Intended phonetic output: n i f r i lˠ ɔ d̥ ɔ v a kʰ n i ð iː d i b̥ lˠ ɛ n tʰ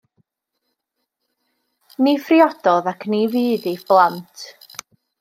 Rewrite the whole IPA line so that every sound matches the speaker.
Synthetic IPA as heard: n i f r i ɔ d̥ ɔ ð a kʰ n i v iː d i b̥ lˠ a n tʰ